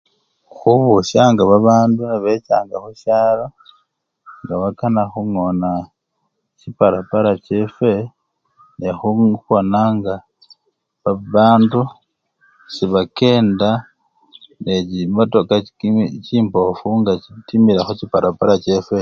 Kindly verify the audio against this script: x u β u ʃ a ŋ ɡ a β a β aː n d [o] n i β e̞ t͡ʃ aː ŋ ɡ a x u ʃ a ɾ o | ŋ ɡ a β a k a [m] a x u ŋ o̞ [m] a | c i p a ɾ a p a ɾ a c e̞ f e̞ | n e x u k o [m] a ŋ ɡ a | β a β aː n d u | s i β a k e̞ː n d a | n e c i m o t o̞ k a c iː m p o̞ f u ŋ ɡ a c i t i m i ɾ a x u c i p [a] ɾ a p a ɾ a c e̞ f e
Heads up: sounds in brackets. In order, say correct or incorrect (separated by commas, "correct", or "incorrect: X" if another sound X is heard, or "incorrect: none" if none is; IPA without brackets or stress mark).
incorrect: u, incorrect: n, incorrect: n, incorrect: n, correct